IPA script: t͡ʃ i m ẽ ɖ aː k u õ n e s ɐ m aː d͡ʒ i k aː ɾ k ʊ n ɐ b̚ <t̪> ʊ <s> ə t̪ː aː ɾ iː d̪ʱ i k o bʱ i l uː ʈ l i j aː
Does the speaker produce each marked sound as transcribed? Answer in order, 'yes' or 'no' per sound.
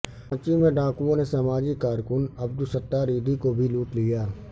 no, yes

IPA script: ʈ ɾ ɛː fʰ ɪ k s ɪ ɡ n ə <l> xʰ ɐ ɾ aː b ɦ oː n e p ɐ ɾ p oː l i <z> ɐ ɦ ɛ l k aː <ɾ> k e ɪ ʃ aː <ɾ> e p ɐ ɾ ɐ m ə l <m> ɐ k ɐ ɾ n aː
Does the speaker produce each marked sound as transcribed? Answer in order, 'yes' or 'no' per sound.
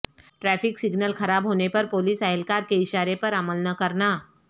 yes, no, yes, yes, no

